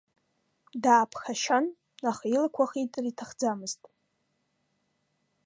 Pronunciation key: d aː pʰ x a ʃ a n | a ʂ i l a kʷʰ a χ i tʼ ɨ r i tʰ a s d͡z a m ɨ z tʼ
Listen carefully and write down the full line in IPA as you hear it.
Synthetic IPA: d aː pʰ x a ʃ a n | a χ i l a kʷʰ a χ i tʼ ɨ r i tʰ a χ d͡z a m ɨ z tʼ